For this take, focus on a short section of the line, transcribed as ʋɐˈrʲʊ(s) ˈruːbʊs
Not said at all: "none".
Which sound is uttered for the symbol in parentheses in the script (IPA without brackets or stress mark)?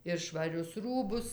s